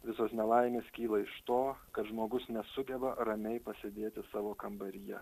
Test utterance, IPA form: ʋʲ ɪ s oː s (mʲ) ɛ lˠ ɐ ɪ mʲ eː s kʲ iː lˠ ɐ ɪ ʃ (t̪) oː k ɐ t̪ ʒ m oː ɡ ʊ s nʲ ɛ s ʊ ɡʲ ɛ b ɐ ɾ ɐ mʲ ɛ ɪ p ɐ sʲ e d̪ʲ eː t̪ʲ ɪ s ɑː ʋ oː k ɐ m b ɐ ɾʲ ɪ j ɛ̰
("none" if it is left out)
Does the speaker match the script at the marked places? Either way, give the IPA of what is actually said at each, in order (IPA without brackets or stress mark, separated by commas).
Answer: nʲ, t̪